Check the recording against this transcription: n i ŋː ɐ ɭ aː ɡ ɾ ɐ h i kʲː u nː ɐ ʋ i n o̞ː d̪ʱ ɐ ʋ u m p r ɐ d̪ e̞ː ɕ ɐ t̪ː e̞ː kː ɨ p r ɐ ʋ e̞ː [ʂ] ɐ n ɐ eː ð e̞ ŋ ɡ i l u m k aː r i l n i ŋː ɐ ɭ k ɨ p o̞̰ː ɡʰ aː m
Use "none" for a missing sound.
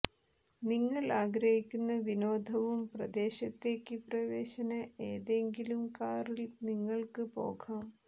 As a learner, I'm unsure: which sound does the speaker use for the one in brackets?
ɕ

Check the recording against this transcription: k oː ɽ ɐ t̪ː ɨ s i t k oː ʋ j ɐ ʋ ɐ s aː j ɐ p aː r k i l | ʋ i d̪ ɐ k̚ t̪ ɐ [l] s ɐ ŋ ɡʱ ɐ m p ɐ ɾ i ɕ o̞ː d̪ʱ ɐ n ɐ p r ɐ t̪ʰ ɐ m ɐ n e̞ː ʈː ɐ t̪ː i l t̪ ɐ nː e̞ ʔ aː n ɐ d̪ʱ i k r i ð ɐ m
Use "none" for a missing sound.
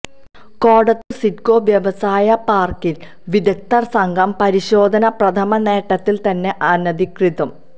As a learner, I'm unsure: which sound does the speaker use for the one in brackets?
r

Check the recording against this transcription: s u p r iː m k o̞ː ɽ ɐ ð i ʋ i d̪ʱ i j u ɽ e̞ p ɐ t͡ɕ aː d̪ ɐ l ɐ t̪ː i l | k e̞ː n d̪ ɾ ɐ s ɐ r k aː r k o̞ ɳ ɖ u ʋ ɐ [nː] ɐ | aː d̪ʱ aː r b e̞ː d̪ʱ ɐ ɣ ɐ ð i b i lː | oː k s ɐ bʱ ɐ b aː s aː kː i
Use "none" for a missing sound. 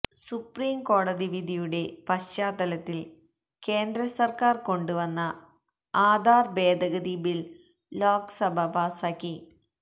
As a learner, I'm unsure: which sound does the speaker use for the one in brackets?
nː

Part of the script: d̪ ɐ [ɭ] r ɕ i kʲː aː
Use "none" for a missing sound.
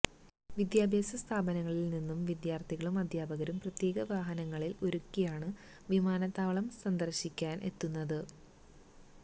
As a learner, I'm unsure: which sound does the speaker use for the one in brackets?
none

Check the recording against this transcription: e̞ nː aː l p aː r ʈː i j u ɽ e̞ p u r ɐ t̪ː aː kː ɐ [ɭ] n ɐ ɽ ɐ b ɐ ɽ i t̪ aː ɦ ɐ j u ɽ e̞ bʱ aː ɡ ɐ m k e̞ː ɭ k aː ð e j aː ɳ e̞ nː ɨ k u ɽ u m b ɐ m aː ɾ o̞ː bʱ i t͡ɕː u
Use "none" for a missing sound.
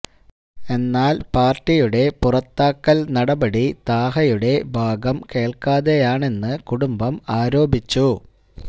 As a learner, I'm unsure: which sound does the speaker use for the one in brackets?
l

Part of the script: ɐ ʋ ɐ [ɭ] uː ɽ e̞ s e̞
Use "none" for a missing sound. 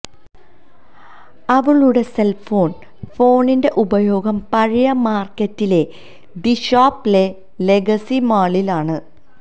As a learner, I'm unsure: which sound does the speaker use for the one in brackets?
ɭ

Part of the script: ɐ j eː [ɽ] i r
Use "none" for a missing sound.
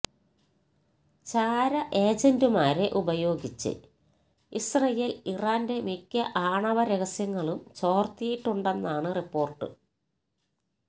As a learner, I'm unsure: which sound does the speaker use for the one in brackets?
l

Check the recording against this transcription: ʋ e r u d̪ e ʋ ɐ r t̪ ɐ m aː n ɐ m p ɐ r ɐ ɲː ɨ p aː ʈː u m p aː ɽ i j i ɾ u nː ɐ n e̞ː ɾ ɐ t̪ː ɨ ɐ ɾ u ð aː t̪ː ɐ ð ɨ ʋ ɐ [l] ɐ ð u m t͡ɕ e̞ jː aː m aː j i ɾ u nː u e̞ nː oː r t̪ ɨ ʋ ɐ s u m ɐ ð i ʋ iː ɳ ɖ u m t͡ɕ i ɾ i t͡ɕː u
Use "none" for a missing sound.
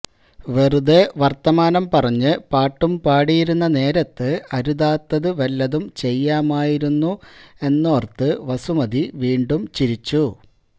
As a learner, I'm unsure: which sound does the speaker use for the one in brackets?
lː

